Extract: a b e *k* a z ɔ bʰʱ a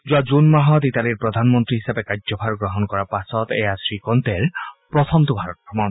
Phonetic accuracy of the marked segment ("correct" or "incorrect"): correct